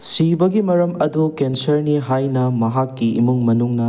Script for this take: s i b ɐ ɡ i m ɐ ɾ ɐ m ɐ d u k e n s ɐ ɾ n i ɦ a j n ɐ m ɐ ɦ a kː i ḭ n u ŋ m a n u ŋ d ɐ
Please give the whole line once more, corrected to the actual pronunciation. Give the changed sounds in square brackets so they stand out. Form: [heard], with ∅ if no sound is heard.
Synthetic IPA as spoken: s i b ɐ ɡ i m ɐ ɾ ɐ m ɐ d u k e n s ɐ ɾ n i ɦ a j n ɐ m ɐ ɦ a kː i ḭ [m] u ŋ m [ɐ] n u ŋ [n] ɐ